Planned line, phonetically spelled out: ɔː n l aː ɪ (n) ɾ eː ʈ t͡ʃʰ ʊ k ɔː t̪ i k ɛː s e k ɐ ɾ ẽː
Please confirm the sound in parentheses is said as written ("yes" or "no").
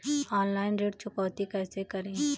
yes